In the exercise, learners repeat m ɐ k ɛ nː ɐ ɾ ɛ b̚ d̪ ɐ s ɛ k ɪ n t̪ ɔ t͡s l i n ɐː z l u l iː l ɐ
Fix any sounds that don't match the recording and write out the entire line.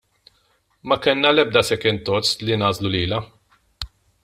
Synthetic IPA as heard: m ɐ k ɛ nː ɐ l ɛ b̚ d̪ ɐ s ɛ k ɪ n t̪ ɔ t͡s l i n ɐː z l u l iː l ɐ